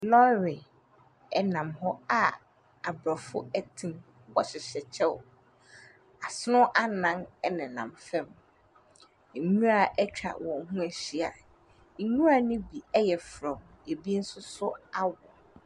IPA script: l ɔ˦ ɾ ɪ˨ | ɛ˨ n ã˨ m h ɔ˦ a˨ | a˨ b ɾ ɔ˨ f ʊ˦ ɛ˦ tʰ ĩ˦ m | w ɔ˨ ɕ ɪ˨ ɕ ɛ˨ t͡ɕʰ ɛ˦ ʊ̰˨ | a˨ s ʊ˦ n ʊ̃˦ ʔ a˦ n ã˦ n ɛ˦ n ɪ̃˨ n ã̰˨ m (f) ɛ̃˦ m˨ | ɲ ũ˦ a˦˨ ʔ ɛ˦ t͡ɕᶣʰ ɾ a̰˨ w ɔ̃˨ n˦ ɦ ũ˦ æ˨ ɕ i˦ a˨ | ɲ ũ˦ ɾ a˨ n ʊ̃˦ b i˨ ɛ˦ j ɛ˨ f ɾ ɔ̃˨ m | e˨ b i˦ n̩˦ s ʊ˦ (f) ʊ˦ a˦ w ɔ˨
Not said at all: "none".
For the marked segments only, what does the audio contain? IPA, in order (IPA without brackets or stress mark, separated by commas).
f, s